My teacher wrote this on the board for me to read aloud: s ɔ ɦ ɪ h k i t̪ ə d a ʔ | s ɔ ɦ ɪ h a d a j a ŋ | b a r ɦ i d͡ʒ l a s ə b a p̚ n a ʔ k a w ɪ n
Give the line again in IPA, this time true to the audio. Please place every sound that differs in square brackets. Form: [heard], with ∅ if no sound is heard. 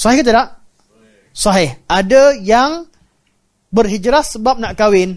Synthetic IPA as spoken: s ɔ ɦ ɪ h k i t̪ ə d a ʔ | s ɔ ɦ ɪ h a d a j a ŋ | b [ə] r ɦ i d͡ʒ [ɾ] a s ə b a p̚ n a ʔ k a w ɪ n